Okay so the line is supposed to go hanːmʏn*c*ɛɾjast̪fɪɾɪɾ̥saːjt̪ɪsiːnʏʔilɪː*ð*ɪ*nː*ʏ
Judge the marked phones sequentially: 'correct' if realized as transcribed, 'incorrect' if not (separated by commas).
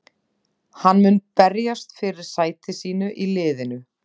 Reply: incorrect, correct, incorrect